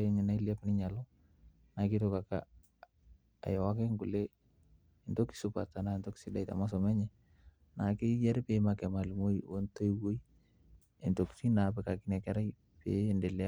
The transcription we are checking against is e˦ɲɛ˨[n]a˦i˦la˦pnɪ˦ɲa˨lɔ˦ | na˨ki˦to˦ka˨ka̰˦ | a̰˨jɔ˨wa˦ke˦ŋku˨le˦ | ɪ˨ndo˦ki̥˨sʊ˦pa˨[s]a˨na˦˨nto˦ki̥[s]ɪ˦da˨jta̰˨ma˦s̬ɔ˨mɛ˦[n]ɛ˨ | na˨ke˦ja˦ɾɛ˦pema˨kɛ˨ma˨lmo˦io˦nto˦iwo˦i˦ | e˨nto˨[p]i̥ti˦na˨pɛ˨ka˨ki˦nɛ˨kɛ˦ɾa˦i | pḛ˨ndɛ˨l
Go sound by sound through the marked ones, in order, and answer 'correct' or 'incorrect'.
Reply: correct, incorrect: t, correct, incorrect: ɲ, incorrect: k

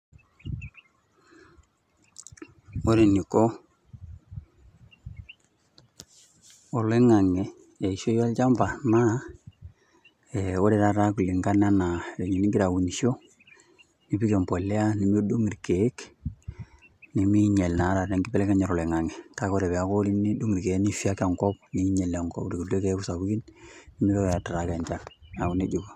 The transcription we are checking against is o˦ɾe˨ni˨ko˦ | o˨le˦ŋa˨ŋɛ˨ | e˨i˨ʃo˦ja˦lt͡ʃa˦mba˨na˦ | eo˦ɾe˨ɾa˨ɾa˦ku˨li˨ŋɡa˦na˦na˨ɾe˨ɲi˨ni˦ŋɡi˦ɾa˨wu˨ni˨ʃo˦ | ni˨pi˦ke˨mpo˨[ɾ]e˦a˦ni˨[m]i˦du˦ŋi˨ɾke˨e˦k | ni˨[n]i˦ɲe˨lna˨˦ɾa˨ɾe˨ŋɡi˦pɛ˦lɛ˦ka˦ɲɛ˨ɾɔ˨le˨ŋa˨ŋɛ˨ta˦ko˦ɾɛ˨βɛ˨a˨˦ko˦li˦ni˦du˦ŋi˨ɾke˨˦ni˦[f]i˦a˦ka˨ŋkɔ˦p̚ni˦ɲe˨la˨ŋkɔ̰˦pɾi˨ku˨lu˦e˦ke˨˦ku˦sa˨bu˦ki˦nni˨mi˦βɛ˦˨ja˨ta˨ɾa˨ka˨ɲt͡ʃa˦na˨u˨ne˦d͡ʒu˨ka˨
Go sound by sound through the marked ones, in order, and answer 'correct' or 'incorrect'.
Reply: incorrect: l, correct, incorrect: m, correct

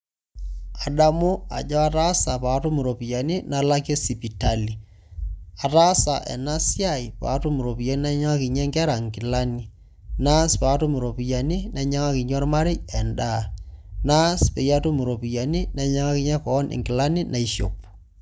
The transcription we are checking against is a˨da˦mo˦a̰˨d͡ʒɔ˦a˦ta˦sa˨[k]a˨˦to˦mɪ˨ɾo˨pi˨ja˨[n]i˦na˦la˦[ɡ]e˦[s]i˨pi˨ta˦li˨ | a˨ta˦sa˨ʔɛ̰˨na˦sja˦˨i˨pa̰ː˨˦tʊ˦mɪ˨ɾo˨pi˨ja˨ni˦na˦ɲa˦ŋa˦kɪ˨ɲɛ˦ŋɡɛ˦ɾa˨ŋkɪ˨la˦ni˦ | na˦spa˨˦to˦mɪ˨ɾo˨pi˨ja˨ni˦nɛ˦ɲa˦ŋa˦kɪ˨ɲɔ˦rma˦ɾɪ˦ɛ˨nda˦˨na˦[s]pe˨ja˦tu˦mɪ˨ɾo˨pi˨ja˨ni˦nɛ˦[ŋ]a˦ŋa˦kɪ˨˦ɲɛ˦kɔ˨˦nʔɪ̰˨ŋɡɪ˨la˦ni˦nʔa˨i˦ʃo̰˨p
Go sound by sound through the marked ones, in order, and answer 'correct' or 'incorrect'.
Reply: incorrect: p, correct, incorrect: k, correct, correct, incorrect: ɲ

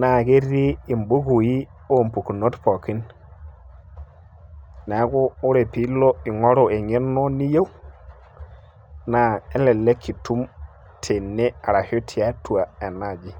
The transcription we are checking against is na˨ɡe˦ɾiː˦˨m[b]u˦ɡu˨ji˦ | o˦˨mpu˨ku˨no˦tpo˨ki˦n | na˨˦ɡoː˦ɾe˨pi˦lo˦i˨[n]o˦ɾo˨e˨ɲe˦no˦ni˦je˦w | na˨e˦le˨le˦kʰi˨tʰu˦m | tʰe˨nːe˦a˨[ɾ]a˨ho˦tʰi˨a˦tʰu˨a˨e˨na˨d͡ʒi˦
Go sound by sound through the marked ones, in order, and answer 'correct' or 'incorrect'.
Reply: correct, incorrect: ŋ, correct

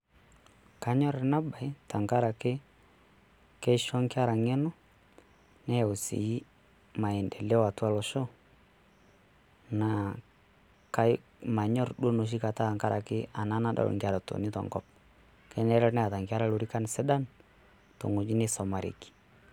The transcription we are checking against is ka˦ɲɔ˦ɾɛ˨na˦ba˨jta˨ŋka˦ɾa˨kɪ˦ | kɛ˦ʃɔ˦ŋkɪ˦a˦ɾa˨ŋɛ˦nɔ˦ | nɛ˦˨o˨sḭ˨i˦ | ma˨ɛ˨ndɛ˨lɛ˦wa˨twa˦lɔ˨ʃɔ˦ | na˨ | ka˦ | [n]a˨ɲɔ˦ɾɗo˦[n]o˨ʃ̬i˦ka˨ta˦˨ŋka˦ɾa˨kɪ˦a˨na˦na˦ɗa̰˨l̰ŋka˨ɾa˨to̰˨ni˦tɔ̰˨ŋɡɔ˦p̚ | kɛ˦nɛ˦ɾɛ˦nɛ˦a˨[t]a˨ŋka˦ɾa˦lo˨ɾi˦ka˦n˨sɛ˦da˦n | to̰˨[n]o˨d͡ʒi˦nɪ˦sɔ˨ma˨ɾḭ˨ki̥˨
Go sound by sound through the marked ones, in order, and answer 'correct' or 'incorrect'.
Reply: incorrect: m, correct, correct, incorrect: ŋ

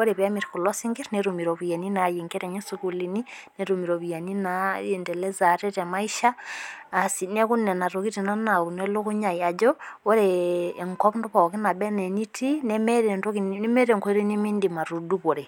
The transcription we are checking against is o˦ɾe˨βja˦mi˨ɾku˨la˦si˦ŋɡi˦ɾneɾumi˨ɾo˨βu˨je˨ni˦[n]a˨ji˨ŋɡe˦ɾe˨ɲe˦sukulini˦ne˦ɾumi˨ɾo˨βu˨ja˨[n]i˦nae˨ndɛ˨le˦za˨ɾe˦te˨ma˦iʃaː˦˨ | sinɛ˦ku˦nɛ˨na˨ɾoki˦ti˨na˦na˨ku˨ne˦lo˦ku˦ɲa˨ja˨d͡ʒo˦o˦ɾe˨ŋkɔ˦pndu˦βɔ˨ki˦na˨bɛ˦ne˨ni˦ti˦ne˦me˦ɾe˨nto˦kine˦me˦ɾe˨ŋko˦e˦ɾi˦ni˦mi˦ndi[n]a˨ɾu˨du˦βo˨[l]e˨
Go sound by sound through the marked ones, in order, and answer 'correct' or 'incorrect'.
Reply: correct, correct, incorrect: m, incorrect: ɾ

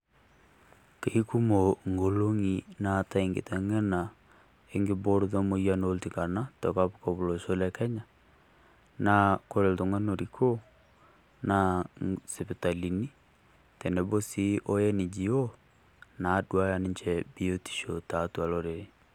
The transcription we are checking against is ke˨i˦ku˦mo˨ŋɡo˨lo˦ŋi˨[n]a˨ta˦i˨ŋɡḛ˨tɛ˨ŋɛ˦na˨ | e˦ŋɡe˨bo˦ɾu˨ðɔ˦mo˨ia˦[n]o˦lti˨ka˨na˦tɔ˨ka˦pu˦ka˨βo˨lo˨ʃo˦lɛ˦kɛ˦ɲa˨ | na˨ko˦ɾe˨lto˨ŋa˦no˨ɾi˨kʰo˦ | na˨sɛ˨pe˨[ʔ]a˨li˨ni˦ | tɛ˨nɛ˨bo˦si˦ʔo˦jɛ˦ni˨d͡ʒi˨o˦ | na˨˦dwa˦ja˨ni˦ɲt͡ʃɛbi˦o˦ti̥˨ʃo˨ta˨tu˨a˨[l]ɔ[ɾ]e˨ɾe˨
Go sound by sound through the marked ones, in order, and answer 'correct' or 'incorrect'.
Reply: correct, correct, incorrect: t, correct, correct

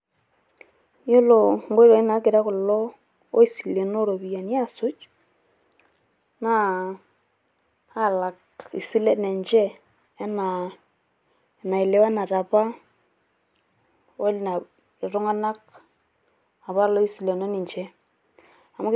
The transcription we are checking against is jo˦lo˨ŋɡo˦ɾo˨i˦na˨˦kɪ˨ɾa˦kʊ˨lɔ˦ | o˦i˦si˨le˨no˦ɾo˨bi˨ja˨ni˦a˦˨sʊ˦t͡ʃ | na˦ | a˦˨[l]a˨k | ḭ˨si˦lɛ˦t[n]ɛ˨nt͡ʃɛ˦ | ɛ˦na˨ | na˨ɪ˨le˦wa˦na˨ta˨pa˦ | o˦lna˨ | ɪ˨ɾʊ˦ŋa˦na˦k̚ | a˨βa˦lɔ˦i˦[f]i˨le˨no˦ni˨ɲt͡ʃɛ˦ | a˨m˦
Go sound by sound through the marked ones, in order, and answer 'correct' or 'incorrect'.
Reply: correct, correct, incorrect: s

